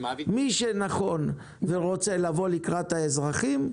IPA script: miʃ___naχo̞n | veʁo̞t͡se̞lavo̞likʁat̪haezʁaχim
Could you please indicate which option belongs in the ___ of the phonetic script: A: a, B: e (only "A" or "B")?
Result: B